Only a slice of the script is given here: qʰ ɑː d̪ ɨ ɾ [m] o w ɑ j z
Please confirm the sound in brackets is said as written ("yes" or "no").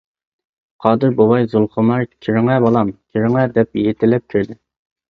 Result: no